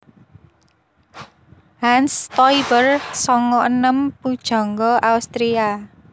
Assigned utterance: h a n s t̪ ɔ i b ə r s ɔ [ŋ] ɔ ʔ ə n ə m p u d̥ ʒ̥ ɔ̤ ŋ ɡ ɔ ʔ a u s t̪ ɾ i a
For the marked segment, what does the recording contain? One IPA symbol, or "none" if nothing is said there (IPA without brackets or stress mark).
ŋ